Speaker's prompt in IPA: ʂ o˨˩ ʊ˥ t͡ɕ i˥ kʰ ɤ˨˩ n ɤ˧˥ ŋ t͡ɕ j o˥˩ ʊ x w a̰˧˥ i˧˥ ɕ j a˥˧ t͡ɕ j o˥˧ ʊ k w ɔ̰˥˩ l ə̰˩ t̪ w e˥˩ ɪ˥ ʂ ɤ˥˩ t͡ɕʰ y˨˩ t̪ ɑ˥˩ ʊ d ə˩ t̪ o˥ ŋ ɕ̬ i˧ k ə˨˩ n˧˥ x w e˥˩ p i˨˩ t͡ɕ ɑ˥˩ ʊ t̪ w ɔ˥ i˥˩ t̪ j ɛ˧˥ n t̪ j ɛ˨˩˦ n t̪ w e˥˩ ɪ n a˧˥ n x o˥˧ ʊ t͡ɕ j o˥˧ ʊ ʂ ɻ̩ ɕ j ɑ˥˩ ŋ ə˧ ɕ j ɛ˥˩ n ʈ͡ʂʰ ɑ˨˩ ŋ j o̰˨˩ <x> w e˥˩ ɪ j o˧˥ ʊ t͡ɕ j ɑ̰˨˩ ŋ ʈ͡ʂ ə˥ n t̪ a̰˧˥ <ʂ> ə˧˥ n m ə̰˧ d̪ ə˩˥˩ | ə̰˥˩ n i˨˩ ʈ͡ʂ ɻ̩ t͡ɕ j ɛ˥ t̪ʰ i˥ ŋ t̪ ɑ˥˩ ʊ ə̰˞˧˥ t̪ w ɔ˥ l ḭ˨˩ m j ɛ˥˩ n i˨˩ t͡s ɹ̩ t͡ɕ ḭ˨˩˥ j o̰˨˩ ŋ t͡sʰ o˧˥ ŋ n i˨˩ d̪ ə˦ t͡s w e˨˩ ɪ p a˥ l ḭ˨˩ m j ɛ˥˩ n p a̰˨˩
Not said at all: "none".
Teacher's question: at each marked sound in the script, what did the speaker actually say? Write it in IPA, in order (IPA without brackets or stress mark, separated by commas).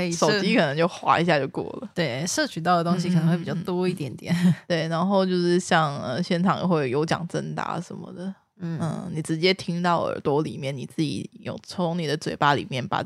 x, ʂ